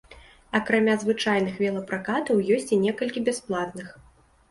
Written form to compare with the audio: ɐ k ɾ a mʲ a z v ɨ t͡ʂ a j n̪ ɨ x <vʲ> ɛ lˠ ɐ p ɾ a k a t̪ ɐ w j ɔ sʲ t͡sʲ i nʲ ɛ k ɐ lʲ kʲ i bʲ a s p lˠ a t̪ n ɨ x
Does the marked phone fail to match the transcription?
no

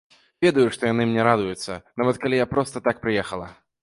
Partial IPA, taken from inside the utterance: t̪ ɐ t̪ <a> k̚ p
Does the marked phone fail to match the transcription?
no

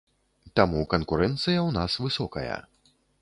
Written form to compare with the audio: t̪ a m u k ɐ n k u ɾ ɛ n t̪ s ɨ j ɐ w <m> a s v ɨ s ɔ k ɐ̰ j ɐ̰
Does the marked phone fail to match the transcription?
yes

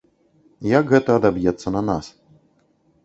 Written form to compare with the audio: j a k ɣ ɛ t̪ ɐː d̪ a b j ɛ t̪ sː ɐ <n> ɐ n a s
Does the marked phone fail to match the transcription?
no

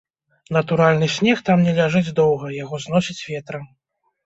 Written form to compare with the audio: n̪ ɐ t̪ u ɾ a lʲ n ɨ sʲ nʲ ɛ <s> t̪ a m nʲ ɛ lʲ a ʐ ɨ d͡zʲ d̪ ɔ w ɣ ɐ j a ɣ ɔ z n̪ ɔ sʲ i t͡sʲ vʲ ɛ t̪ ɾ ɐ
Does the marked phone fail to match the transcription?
yes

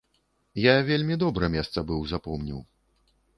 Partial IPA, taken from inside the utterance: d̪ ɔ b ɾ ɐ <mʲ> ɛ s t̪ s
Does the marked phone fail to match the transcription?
no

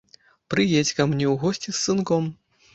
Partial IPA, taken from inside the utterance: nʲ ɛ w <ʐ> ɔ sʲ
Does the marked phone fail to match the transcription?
yes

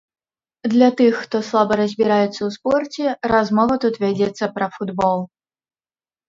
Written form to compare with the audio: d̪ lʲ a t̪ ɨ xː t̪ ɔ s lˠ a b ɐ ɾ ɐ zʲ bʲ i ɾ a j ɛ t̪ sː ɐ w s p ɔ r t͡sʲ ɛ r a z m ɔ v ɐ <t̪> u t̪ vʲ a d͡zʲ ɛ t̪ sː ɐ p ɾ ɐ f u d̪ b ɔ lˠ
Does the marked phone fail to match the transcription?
no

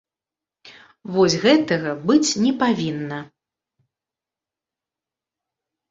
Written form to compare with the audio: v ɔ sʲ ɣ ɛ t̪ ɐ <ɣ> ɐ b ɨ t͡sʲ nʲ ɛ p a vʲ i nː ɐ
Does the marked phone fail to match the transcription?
no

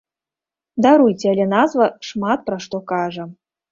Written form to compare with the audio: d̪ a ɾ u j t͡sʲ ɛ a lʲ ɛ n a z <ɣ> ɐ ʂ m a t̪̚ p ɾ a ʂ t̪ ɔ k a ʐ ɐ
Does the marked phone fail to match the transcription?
yes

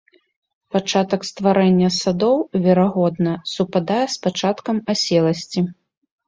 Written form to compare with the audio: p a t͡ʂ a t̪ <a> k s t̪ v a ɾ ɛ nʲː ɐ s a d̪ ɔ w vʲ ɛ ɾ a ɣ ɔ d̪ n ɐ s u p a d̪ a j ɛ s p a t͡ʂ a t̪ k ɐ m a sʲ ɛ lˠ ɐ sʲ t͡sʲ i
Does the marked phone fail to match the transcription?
yes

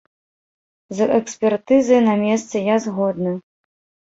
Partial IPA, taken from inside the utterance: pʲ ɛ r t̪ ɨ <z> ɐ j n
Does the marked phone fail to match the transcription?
no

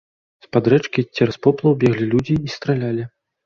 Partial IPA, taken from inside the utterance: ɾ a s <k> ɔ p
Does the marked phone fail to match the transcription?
yes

